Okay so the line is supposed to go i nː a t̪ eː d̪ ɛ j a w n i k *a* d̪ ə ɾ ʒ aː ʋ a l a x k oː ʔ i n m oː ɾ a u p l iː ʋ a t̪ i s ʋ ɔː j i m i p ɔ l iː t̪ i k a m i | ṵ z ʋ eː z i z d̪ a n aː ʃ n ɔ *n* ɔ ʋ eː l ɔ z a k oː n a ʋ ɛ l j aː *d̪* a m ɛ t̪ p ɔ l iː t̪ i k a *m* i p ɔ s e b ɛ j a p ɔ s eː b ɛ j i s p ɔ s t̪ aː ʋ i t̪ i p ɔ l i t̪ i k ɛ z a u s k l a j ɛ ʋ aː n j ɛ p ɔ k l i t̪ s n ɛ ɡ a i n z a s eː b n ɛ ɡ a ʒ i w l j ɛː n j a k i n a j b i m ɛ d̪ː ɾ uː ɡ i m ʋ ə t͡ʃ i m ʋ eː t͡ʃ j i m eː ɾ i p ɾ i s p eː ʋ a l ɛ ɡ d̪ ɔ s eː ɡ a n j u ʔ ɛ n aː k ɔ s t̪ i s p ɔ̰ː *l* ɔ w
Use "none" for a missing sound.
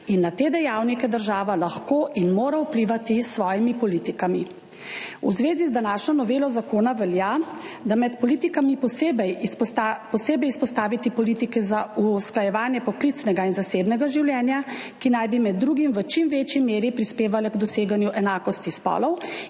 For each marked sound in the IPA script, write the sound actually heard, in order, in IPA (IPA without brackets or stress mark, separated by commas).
ɛ, n, d̪, m, l